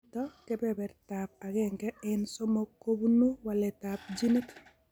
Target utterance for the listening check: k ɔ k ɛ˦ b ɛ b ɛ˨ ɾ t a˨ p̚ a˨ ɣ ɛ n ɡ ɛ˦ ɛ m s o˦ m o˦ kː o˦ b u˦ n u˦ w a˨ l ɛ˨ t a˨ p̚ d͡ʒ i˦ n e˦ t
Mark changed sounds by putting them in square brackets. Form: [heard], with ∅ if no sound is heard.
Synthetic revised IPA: [t] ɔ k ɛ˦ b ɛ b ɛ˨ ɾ t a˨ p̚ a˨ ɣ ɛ [ŋ] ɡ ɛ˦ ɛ [n] s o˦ m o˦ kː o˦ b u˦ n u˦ w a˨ l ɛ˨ t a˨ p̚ d͡ʒ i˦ n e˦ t